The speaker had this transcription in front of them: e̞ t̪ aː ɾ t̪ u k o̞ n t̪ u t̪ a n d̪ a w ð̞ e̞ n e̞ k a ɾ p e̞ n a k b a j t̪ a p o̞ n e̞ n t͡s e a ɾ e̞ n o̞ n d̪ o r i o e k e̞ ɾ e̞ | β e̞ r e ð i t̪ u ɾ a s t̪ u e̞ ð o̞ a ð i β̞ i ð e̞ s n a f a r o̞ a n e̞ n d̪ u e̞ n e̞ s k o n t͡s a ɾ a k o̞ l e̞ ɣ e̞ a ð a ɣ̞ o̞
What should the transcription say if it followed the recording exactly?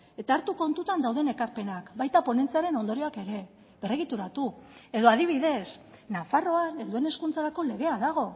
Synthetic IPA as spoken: e̞ t̪ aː ɾ t̪ u k o̞ n t̪ u t̪ a n d̪ a w ð̞ e̞ n e̞ k a ɾ p e̞ n a k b a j t̪ a p o̞ n e̞ n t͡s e a ɾ e̞ n o̞ n d̪ o ɾ i o a k e̞ ɾ e̞ | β e̞ r e ɣ i t̪ u ɾ a t̪ u e̞ ð o̞ a ð i β̞ i ð e̞ s n a f a r o̞ a n e̞ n d̪ u e̞ n e̞ s k u n t͡s a ɾ a k o̞ l e̞ ɣ e̞ a ð a ɣ̞ o̞